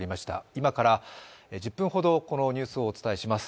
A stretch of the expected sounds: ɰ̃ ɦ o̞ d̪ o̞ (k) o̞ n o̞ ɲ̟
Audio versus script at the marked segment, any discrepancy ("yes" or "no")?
no